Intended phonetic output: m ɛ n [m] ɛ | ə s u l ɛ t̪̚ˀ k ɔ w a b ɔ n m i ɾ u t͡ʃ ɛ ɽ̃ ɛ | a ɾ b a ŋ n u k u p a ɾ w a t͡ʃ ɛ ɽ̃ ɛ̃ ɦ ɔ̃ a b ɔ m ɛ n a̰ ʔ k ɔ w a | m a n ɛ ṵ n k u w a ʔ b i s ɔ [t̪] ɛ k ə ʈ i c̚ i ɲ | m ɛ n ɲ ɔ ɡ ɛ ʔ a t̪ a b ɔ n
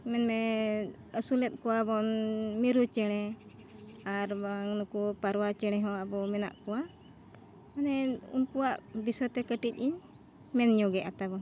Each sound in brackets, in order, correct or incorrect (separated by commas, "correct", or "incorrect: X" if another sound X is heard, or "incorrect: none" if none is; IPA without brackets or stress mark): correct, correct